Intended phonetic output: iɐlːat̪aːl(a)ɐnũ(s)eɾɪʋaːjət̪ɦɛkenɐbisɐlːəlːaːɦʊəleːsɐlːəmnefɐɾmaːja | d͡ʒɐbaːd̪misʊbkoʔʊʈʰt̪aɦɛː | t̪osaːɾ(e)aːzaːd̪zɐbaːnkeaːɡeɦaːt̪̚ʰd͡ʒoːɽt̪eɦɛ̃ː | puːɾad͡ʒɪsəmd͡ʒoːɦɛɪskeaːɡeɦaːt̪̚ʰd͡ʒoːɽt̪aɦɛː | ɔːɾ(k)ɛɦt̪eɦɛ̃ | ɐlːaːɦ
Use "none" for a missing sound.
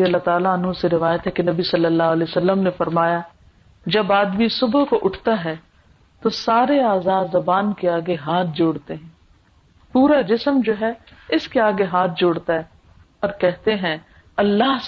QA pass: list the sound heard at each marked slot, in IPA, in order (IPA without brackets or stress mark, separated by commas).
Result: a, s, e, k